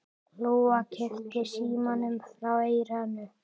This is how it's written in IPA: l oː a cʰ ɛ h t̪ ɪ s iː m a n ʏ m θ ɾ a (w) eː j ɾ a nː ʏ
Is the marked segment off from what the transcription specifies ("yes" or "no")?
no